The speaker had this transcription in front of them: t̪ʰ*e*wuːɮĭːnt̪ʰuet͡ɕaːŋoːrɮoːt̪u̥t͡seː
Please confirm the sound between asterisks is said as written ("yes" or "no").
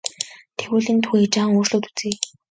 yes